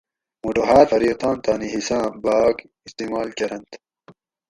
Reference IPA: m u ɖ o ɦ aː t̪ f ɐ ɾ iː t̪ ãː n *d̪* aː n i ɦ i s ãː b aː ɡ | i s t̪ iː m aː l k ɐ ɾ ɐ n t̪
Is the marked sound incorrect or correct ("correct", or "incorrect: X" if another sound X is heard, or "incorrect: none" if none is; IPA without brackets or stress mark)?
incorrect: t̪